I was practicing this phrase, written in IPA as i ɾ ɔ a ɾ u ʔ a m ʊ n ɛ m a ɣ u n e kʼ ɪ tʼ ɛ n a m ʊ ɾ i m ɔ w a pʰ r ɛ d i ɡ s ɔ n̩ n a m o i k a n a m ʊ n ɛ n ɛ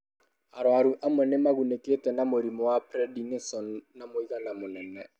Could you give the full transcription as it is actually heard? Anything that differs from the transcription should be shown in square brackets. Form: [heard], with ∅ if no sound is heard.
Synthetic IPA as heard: [a] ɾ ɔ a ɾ u ʔ a m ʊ n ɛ m a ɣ u n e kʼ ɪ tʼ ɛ n a m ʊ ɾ i m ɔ w a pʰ r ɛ d i [ŋ] s ɔ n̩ n a m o i k a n a m ʊ n ɛ n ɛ